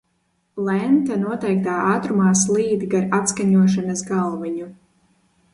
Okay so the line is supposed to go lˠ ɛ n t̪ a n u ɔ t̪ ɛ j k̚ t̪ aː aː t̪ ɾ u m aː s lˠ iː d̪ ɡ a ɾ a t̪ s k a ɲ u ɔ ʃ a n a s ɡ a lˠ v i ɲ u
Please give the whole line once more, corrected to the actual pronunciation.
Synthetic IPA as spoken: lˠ ɛ n t̪ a n u ɔ t̪ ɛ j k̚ t̪ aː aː t̪ ɾ u m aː s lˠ iː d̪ ɡ a ɾ a t̪ s k a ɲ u ɔ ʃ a n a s ɡ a lˠ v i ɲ u